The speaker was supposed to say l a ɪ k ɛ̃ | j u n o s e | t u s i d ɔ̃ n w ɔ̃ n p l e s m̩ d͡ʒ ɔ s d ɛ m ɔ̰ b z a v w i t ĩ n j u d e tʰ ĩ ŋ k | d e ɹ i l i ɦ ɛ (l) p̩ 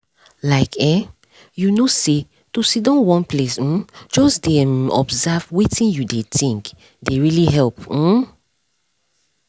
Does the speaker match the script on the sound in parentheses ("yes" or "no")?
yes